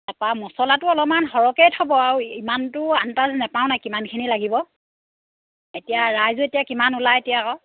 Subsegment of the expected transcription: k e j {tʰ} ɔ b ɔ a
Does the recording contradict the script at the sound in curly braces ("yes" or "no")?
no